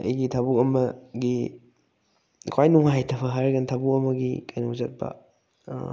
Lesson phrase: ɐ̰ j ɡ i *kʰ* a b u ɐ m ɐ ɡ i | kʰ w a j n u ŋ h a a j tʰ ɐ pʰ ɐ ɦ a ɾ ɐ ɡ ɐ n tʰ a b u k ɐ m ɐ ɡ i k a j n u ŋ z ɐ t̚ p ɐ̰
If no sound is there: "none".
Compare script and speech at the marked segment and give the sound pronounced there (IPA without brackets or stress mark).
tʰ